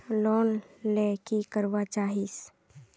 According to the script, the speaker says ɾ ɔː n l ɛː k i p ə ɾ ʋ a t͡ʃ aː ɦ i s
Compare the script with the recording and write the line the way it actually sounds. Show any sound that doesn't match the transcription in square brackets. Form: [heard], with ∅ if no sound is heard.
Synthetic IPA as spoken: [l] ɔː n l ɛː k i [k] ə ɾ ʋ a t͡ʃ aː ɦ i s